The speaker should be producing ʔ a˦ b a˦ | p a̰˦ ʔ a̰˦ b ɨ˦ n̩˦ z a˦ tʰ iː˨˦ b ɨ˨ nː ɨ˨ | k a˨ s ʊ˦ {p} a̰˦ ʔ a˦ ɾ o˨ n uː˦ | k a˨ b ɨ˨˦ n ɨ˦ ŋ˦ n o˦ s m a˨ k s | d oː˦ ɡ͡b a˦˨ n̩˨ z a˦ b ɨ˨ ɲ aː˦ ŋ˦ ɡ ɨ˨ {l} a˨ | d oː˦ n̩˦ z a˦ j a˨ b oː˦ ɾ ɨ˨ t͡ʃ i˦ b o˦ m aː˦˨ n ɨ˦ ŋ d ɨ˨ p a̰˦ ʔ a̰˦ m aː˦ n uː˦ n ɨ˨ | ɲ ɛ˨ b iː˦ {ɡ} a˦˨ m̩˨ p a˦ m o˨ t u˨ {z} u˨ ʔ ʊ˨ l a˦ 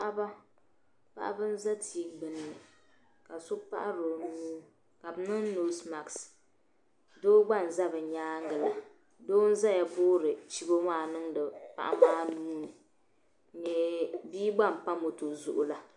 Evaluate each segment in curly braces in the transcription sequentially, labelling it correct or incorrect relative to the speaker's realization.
correct, correct, incorrect: ɡ͡b, correct

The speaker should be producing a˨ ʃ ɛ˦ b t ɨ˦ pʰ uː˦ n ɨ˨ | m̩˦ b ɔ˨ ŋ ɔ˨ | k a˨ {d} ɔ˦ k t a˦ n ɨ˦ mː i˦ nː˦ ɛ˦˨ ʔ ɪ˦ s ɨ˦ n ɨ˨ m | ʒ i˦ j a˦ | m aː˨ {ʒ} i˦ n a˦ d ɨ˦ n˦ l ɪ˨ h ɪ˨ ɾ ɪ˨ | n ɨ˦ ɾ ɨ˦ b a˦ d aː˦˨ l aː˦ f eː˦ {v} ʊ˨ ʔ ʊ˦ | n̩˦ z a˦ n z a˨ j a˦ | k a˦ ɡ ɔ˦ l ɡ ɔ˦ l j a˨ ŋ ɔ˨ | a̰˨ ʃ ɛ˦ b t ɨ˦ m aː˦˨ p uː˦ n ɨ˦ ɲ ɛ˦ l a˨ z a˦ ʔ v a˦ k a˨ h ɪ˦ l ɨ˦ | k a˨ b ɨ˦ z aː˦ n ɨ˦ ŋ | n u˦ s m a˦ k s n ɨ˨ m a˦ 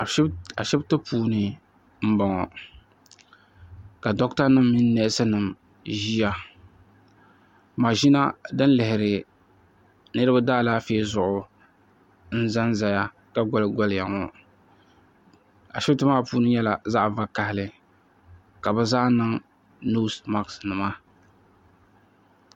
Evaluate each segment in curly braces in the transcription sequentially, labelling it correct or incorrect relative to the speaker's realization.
correct, correct, incorrect: z

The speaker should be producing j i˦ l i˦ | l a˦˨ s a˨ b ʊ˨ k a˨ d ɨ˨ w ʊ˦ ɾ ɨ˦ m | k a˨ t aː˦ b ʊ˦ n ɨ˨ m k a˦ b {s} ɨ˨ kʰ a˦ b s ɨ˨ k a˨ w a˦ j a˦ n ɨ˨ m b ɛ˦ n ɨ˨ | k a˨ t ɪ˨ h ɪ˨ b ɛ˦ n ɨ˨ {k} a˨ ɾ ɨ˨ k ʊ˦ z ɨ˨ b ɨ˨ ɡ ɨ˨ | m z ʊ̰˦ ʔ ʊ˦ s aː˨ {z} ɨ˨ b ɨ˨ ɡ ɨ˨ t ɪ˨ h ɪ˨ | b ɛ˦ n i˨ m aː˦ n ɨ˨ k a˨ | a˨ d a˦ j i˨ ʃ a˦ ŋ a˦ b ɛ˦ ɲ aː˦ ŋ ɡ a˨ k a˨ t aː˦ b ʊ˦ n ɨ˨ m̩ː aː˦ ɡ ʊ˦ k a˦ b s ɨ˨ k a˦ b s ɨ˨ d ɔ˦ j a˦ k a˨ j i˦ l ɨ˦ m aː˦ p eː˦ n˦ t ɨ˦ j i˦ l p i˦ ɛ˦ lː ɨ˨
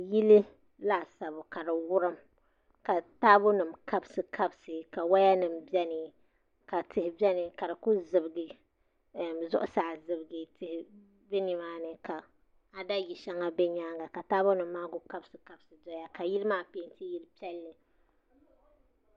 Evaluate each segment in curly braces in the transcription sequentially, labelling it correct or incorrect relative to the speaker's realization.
correct, correct, correct

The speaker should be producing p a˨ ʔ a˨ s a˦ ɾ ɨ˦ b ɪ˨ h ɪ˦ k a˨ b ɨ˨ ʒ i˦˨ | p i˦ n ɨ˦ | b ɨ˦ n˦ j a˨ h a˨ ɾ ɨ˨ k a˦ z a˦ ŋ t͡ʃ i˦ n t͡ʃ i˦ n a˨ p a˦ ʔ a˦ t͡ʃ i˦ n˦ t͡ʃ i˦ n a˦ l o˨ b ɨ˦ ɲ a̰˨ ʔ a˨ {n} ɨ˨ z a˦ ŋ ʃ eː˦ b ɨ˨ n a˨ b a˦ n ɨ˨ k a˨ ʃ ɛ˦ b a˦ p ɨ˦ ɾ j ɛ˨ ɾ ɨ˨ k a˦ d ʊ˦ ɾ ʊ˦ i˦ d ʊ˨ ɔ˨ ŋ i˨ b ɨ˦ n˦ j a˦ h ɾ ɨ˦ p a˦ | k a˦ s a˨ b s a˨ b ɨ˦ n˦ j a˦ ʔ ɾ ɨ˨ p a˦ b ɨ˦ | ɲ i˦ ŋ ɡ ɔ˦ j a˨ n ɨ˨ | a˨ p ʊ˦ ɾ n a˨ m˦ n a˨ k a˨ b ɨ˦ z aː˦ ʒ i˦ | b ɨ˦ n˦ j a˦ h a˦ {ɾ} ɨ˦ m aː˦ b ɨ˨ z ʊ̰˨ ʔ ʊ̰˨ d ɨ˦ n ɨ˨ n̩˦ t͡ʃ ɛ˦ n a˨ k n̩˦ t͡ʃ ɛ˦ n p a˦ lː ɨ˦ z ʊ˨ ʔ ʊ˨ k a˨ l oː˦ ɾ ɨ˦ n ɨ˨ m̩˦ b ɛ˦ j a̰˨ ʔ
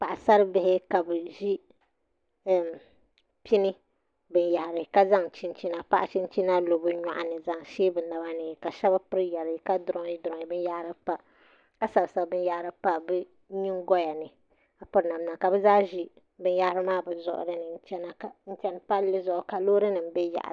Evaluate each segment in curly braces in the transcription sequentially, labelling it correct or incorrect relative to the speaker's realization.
correct, correct

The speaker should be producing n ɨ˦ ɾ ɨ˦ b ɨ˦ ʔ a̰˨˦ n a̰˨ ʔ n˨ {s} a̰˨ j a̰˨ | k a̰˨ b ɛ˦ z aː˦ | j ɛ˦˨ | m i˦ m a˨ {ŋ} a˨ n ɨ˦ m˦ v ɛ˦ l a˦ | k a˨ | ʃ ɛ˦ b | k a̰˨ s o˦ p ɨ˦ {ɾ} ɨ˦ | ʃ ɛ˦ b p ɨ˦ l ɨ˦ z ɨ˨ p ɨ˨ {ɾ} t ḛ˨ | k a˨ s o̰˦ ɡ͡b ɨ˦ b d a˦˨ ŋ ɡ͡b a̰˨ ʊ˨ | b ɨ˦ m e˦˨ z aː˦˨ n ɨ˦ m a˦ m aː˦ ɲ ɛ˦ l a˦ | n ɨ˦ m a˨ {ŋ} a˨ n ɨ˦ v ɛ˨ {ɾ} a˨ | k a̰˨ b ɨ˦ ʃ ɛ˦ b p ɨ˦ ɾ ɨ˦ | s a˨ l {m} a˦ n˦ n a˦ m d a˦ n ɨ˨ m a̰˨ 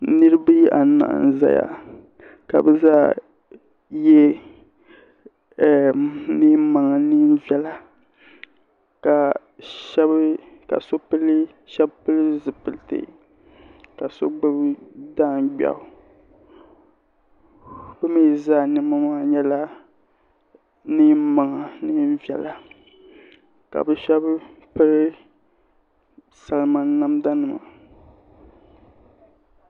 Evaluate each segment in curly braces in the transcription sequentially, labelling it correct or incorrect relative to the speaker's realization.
incorrect: z, correct, incorrect: l, incorrect: l, correct, incorrect: l, correct

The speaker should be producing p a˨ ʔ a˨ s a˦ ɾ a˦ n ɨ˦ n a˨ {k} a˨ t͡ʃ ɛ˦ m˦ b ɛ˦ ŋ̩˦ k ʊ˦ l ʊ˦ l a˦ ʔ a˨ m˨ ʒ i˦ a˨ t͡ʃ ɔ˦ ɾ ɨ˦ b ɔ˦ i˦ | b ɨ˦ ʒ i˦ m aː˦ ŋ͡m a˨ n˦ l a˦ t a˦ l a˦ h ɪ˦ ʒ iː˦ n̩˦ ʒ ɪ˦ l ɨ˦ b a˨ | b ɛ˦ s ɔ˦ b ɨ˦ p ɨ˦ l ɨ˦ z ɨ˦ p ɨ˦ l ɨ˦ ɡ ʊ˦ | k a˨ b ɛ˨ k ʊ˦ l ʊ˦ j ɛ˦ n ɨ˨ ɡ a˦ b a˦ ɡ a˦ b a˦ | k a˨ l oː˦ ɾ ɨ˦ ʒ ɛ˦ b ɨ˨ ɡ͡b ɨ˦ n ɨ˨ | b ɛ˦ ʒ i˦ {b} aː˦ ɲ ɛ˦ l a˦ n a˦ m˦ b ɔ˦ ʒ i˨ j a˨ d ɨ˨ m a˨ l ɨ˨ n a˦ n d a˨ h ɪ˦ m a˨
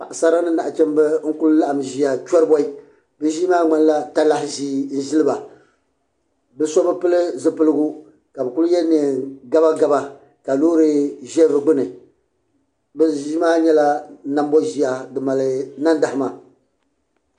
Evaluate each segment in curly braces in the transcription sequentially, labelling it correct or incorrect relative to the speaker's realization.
incorrect: ʔ, incorrect: m

